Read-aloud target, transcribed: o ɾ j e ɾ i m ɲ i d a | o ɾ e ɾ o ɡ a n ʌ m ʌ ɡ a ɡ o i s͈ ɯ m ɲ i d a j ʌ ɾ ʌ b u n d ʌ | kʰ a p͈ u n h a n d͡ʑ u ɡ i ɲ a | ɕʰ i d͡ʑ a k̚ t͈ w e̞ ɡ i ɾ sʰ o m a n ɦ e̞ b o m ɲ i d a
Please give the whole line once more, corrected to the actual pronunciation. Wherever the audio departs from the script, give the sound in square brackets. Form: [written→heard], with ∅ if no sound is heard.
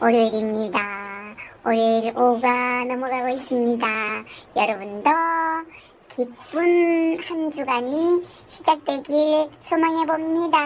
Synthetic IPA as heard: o ɾ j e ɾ i m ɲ i d a | o ɾ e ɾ o ɡ a n ʌ m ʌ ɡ a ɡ o i s͈ ɯ m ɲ i d a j ʌ ɾ ʌ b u n d ʌ | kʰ [a→i] p͈ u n h a n d͡ʑ u ɡ [i→a] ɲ [a→i] | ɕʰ i d͡ʑ a k̚ t͈ w e̞ ɡ i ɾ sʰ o m a [n→ŋ] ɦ e̞ b o m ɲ i d a